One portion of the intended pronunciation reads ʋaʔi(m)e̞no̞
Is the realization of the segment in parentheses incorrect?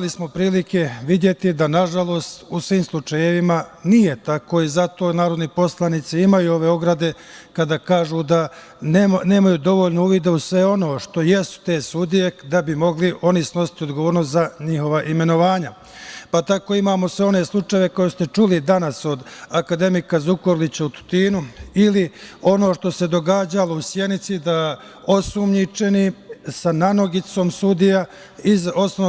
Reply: no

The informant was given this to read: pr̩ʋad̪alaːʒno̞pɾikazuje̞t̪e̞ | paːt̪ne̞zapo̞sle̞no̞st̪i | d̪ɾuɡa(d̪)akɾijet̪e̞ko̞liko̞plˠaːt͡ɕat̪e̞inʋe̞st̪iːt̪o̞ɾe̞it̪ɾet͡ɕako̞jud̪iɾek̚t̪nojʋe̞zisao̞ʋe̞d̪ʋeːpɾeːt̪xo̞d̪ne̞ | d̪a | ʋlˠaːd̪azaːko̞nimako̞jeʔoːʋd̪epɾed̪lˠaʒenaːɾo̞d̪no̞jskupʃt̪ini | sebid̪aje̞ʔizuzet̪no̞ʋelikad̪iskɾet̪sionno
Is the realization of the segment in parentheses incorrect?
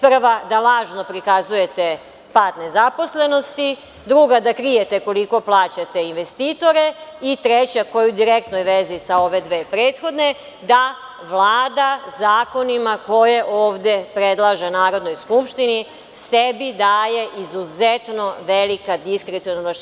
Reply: no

